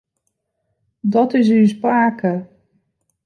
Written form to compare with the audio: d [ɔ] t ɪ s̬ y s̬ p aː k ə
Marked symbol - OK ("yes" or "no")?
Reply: yes